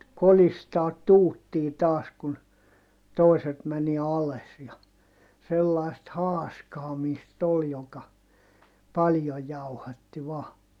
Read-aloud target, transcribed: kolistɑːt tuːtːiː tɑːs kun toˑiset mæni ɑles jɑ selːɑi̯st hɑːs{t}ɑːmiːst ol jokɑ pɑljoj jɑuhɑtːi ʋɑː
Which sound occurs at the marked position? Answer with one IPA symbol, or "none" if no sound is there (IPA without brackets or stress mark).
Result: k